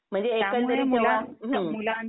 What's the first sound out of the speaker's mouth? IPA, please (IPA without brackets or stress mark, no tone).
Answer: m̤